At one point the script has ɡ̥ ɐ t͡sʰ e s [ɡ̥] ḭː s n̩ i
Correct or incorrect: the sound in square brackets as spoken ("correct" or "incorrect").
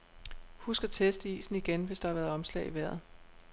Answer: incorrect